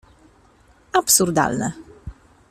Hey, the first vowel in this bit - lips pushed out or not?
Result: no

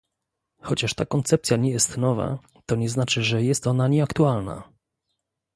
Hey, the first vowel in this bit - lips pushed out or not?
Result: yes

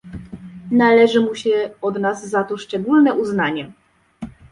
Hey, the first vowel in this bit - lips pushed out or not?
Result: no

